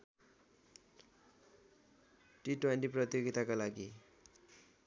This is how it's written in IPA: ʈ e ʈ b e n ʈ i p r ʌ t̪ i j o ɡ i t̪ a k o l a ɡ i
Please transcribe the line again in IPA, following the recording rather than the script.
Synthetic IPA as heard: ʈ i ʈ w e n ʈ i p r ʌ t̪ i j o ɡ i t̪ a k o l a ɡ i